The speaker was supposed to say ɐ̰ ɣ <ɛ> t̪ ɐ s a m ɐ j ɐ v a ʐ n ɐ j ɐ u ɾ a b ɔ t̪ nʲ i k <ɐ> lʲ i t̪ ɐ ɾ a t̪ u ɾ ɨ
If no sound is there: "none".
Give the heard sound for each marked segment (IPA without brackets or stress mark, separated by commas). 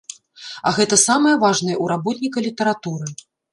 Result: ɛ, ɐ